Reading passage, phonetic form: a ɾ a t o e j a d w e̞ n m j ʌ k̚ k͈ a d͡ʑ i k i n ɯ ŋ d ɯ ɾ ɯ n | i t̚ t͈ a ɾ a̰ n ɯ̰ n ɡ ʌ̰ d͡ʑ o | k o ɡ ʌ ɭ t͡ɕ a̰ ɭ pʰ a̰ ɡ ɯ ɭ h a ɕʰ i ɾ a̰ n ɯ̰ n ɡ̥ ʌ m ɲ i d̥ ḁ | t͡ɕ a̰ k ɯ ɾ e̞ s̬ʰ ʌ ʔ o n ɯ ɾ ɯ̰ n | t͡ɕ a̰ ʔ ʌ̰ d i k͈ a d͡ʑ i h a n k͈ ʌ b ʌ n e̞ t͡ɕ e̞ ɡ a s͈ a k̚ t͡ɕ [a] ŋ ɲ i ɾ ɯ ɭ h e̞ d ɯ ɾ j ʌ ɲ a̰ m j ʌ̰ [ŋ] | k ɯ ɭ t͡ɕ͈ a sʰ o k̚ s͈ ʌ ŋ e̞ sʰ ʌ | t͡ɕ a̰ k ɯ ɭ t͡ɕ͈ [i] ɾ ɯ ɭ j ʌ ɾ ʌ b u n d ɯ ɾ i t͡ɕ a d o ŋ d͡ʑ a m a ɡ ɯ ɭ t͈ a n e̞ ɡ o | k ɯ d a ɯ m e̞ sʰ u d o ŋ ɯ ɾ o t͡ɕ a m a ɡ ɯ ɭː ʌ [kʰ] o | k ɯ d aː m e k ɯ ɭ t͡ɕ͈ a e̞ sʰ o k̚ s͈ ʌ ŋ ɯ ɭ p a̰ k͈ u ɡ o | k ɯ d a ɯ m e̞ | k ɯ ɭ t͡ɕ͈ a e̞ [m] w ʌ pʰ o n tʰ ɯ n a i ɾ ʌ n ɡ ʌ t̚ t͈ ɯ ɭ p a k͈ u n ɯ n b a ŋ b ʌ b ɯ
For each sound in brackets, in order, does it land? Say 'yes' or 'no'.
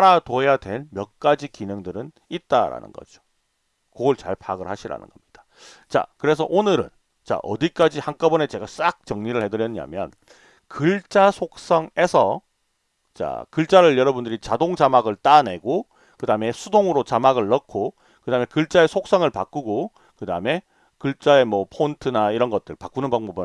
no, no, no, yes, yes

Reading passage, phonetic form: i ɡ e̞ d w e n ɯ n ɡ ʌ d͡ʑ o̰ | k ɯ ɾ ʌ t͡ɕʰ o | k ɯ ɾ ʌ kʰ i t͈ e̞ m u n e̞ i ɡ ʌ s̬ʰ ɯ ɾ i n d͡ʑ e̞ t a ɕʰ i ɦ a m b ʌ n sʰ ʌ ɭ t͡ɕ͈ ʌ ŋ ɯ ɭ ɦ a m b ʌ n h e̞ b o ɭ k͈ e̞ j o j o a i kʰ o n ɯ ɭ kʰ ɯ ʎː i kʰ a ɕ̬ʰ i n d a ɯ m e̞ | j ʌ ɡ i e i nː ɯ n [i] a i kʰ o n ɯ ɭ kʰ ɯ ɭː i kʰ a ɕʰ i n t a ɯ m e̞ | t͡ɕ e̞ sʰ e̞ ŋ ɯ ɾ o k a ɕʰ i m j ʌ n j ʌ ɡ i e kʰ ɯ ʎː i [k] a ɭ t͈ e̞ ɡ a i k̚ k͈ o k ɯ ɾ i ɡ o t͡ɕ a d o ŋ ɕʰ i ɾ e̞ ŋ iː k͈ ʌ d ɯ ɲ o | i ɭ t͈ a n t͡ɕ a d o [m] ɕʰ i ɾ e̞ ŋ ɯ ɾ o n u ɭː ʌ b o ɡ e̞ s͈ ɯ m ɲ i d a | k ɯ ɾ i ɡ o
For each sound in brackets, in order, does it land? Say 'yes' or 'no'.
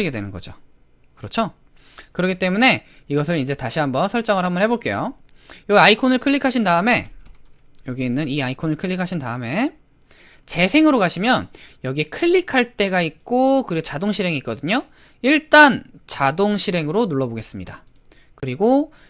yes, no, no

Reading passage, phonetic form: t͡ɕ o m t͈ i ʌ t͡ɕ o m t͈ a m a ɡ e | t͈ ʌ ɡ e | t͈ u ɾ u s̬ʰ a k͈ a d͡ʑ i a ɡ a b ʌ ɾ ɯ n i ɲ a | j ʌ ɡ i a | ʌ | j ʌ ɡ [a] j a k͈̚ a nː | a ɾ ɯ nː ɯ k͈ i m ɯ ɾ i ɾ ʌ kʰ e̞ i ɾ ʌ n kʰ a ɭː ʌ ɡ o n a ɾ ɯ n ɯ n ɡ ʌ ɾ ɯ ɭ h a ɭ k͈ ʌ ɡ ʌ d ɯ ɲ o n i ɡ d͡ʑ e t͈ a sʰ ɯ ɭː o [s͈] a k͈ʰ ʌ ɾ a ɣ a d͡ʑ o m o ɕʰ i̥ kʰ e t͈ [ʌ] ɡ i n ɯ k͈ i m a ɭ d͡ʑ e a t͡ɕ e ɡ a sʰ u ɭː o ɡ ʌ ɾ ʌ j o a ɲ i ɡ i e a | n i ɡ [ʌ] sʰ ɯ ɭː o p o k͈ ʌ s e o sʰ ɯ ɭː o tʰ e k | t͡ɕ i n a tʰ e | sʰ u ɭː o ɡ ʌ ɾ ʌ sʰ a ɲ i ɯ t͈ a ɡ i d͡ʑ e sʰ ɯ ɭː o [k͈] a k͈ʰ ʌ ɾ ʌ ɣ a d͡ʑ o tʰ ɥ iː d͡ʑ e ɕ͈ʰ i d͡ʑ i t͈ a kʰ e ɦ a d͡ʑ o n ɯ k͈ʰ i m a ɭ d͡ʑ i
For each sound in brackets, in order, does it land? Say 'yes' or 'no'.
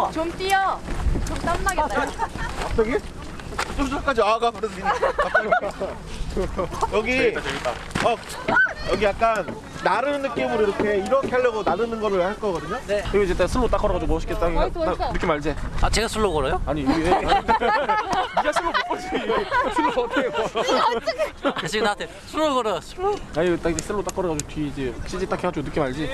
no, no, no, no, no

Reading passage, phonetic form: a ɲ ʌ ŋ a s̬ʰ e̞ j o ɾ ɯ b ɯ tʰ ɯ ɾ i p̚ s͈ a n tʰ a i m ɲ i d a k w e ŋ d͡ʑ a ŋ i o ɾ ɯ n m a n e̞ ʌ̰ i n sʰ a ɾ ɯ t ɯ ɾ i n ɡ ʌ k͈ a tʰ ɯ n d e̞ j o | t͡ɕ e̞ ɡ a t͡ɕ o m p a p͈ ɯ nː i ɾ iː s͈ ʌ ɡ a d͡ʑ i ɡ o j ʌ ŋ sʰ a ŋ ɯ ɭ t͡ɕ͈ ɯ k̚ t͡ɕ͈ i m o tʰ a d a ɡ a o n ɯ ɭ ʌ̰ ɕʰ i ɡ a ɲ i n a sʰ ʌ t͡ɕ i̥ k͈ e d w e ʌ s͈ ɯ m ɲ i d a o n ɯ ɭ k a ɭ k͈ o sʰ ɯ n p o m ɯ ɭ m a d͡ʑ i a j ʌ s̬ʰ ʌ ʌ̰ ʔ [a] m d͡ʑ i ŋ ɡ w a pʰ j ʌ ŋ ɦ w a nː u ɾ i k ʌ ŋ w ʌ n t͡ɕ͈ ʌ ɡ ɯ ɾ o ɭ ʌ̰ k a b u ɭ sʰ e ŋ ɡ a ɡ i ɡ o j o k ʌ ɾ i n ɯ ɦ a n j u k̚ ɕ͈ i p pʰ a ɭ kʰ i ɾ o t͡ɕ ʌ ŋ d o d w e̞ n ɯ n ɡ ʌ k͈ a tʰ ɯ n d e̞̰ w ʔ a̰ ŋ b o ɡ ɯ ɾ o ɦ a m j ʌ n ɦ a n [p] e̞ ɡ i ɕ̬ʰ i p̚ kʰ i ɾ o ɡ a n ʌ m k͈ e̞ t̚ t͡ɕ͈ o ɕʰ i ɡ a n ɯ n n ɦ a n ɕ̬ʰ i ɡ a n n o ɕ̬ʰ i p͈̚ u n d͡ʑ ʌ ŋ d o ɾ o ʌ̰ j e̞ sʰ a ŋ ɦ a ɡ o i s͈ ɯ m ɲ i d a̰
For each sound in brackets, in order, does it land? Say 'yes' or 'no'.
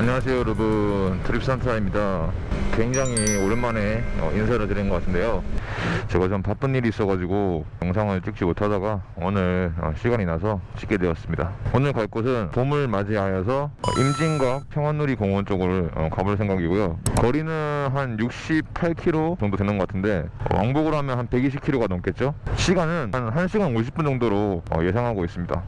no, yes

